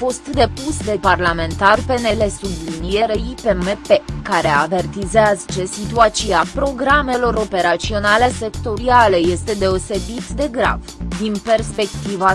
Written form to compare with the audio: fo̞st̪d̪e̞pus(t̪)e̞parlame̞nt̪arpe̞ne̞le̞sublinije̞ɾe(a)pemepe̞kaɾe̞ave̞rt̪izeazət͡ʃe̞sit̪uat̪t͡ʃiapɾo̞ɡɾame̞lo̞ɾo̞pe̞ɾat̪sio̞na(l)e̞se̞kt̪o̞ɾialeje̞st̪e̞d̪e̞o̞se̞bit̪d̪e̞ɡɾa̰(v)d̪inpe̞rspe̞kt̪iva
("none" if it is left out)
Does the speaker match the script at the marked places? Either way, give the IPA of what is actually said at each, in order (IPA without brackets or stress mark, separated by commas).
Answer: d̪, i, l, v